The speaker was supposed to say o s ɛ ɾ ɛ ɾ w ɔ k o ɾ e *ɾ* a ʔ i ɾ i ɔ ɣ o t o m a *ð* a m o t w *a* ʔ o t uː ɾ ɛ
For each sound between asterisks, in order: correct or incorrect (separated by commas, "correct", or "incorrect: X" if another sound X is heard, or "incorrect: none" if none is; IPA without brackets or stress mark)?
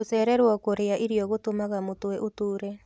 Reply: incorrect: none, incorrect: ɣ, incorrect: ɛ